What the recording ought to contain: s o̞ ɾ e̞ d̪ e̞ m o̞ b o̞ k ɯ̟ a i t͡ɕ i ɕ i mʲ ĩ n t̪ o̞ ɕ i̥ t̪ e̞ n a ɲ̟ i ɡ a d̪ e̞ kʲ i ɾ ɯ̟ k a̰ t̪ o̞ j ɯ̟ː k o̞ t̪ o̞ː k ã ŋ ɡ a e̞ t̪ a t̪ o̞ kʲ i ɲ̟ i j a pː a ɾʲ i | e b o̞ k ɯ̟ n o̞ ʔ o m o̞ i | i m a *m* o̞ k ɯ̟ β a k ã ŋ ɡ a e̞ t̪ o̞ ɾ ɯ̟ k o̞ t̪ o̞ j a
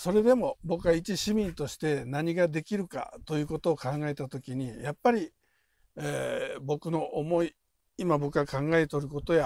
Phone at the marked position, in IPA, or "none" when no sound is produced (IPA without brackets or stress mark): b